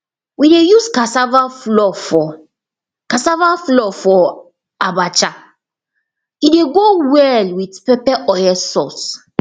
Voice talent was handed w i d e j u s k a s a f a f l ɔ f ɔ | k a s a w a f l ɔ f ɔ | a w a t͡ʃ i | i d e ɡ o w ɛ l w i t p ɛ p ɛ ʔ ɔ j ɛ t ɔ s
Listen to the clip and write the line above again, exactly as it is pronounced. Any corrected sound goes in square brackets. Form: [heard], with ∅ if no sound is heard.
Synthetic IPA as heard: w i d e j u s k a s a [v] a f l ɔ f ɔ | k a s a [v] a f l ɔ f ɔ | a [b] a t͡ʃ [a] | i d e ɡ o w ɛ l w i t p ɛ p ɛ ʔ ɔ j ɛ [s] ɔ s

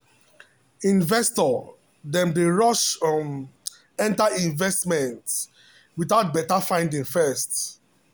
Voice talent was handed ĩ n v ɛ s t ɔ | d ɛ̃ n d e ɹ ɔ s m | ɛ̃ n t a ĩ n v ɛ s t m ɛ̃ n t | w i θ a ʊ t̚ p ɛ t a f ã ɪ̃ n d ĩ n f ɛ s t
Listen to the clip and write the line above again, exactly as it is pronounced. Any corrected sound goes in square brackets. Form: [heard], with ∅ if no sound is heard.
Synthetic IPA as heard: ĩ n v ɛ s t ɔ | d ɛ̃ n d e ɹ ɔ [ʃ] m | ɛ̃ n t a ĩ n v ɛ s t m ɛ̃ n t | w i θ a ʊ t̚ [b] ɛ t a f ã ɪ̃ n d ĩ [ŋ] f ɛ s t

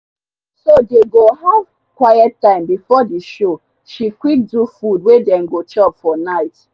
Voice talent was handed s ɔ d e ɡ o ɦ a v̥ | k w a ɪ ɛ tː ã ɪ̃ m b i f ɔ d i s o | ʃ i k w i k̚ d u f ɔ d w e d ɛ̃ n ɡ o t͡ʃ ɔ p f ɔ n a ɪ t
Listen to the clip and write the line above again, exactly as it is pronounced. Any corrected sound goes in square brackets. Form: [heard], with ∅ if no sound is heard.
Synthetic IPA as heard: s [o] d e ɡ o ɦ a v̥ | k w a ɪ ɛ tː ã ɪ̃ m b i f ɔ d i [ʃ] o | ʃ i k w i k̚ d u f [u] d w e d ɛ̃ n ɡ o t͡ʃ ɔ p f ɔ n a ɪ t

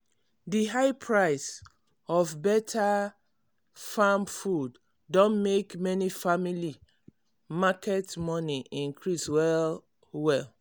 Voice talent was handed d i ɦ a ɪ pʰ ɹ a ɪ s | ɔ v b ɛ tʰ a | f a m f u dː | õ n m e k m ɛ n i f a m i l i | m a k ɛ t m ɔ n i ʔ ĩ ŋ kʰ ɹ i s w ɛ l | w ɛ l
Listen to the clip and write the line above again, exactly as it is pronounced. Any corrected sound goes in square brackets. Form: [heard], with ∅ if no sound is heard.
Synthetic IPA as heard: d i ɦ a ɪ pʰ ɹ a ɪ s | ɔ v b ɛ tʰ a | f a m f u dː | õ n m e k m ɛ n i f a m i l i | m a k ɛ t m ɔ n i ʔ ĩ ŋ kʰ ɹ i s w ɛ l | w ɛ l

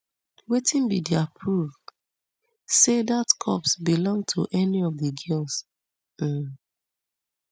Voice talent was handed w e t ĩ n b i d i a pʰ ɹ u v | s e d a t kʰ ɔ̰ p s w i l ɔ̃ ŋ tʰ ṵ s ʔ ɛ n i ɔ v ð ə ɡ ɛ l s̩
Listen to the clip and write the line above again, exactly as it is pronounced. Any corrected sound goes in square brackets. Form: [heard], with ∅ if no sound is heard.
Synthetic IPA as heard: w e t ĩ n b i d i a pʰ ɹ u v | s e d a t kʰ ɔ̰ p s [b] i l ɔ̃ ŋ tʰ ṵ [∅] ʔ ɛ n i ɔ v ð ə ɡ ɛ l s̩

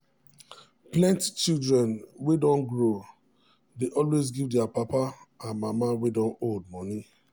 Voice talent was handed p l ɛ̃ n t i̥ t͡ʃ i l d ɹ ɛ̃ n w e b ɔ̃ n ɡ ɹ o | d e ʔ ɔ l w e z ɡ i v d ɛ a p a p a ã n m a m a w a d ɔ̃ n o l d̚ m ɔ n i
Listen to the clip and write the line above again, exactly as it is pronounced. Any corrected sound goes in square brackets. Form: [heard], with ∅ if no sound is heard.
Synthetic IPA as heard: p l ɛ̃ n t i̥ t͡ʃ i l d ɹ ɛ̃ n w e [d] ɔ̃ n ɡ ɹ o | d e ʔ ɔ l w e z ɡ i v d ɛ a p a p a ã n m a m a w [e] d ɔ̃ n o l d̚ m ɔ n i

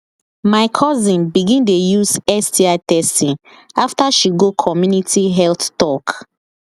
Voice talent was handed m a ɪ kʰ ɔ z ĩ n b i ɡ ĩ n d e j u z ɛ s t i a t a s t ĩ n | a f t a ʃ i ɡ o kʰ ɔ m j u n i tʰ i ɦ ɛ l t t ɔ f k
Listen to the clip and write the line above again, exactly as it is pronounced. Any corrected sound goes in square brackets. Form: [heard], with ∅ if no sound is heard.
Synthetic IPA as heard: m a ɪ kʰ ɔ z ĩ n b i ɡ ĩ n d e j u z ɛ s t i a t [ɛ] s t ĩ n | a f t a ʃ i ɡ o kʰ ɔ m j u n i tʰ i ɦ ɛ l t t ɔ [∅] k

